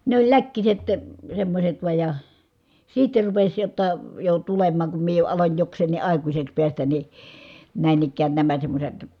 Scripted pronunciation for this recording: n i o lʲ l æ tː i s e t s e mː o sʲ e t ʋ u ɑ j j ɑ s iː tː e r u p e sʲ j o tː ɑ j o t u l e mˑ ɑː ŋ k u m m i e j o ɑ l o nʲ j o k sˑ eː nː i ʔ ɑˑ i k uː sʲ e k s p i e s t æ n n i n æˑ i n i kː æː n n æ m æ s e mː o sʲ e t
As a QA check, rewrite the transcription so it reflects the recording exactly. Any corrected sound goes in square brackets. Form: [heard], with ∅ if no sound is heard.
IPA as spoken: n [e] o lʲ l æ [kː] i s e t s e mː o sʲ e t ʋ u ɑ j j ɑ s iː tː e r u p e sʲ j o tː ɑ j o t u l e mˑ ɑː ŋ k u m m i e j o ɑ l o nʲ j o k sˑ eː nː i ʔ ɑˑ i k [u] sʲ e k s p i [æ] s t æ n n i n æˑ i n i kː æː n n æ m æ s e mː o sʲ e t